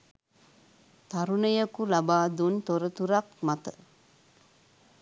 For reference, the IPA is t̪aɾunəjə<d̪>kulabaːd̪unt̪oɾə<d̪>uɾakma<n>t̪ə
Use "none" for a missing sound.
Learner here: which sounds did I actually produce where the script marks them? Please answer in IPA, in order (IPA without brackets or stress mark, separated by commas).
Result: none, t̪, none